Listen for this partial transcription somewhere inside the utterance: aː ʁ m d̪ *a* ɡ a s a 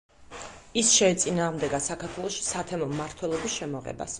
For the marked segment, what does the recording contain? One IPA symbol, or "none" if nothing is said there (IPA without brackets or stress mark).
ɛ